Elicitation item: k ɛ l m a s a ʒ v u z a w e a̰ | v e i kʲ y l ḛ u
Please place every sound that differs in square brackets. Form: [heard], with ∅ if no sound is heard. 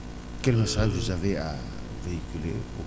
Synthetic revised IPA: k ɛ l m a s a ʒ v u z a [v] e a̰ | v e i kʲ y l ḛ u